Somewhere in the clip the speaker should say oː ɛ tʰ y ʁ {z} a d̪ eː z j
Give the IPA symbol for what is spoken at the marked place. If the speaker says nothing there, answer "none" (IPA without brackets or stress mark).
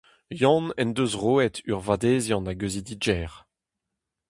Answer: v